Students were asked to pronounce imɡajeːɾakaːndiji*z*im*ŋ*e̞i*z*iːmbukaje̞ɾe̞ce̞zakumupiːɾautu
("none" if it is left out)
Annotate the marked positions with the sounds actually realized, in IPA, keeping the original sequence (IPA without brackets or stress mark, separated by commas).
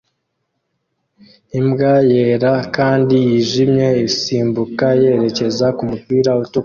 ʒ, ɲ, s